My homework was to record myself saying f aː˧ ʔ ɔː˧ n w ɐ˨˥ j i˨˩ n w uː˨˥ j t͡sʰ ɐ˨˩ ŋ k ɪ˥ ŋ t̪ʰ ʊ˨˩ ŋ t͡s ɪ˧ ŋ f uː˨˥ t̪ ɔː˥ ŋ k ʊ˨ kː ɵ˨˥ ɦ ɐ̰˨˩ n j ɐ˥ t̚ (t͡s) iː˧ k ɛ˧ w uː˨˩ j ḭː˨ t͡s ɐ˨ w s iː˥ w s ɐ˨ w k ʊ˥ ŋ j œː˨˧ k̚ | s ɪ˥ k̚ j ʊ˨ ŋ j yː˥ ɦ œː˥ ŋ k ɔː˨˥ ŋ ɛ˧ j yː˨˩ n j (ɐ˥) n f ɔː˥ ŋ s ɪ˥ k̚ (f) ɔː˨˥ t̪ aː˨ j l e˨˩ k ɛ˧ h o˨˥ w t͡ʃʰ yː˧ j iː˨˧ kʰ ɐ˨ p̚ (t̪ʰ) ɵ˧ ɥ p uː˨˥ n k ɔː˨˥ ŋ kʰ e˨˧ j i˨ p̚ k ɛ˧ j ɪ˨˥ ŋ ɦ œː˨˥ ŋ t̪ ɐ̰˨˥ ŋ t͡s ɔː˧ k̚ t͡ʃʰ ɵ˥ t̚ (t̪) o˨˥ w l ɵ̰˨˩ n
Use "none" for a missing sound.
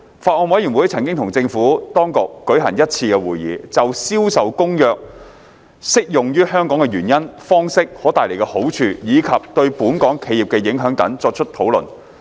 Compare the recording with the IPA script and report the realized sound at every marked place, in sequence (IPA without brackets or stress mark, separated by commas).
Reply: t͡sʰ, ɐ˥, h, t̪, t̪ʰ